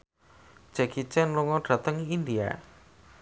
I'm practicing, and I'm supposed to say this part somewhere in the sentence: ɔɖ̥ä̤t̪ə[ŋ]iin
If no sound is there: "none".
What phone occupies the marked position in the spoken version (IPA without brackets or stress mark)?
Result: ŋ